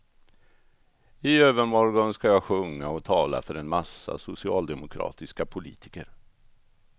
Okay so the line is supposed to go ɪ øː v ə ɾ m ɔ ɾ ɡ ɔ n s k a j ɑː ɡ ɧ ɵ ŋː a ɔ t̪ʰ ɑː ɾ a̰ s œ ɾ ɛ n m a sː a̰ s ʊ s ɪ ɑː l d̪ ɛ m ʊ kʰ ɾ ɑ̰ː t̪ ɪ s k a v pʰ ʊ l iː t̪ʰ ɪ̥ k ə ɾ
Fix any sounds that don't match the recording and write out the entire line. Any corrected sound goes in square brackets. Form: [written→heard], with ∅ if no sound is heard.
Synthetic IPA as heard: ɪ øː v ə ɾ m ɔ ɾ ɡ ɔ n s k a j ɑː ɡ ɧ ɵ ŋː a ɔ t̪ʰ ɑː [ɾ→l] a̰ [s→f] œ ɾ ɛ n m a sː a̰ s ʊ s ɪ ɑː l d̪ ɛ m ʊ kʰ ɾ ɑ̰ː t̪ ɪ s k a [v→∅] pʰ ʊ l iː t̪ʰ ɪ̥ k ə ɾ